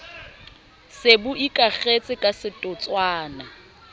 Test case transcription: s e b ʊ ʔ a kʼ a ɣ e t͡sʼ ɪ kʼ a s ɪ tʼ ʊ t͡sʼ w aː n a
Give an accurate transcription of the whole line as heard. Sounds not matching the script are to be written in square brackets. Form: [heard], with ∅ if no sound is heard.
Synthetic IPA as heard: s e b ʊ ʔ [i] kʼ a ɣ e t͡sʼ ɪ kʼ a s ɪ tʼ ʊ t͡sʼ w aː n a